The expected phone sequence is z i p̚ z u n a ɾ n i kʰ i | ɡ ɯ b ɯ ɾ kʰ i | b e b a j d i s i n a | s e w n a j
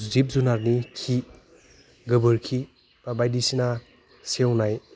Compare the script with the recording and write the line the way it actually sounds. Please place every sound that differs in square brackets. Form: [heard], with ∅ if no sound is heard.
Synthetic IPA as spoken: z i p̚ z u n a ɾ n i kʰ i | ɡ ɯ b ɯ ɾ kʰ i | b [a] b a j d i s i n a | s e w n a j